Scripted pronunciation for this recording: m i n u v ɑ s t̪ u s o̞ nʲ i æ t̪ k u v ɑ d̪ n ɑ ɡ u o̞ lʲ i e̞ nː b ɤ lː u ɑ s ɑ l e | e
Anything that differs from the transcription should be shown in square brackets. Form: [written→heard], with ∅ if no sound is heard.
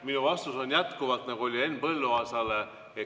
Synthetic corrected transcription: m i n u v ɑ s t̪ u s o̞ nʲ [i→j] æ t̪ k u v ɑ [d̪→t̪] n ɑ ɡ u o̞ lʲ i e̞ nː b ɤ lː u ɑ s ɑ l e | e